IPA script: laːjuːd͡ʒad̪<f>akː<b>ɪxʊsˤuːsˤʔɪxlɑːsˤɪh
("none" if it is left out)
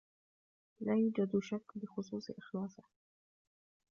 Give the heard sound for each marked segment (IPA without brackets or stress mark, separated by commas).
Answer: ʃ, b